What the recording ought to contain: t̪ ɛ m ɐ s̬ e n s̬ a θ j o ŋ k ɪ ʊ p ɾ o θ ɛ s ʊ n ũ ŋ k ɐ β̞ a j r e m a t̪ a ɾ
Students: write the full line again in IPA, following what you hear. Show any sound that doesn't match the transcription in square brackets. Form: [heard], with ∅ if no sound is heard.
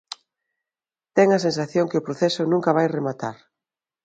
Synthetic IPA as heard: t̪ ɛ [ŋ] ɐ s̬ e n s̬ a θ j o ŋ k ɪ ʊ p ɾ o θ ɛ s ʊ n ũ ŋ k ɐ β̞ a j r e m a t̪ a ɾ